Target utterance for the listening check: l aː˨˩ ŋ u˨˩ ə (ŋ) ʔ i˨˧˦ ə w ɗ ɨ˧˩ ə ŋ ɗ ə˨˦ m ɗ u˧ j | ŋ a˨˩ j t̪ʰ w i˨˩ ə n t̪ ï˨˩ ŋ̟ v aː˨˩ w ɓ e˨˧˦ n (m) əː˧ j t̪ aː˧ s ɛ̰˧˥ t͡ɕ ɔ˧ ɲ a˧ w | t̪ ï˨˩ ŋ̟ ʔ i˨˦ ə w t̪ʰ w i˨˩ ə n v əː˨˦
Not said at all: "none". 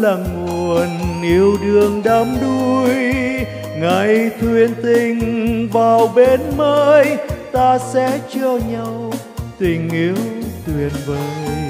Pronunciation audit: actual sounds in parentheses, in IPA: n, m

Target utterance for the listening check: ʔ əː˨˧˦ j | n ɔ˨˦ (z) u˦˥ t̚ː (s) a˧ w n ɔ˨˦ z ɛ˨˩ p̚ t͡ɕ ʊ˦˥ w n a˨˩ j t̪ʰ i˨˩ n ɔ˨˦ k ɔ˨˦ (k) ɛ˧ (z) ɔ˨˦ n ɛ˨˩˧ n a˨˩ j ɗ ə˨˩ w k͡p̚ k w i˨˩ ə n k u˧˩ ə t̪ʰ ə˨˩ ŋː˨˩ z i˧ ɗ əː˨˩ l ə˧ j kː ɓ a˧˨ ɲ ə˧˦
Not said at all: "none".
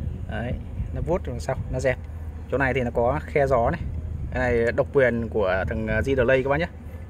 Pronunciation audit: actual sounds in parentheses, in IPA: v, s, x, z

